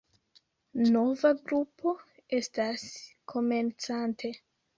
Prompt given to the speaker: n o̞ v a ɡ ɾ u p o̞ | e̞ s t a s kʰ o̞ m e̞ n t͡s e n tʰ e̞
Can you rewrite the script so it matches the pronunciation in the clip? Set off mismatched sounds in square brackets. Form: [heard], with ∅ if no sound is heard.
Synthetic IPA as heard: n o̞ v a ɡ ɾ u p o̞ | e̞ s t a s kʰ o̞ m e̞ n t͡s [a] n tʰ e̞